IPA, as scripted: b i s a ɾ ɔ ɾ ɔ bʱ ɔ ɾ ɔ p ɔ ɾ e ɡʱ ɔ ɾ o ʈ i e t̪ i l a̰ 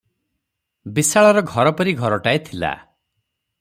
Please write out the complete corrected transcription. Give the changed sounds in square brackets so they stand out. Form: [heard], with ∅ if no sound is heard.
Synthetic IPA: b i s a [ɭ] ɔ ɾ ɔ [ɡʱ] ɔ ɾ ɔ p ɔ ɾ [i] ɡʱ ɔ ɾ [ɔ] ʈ [a] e [t̪ʰ] i l a̰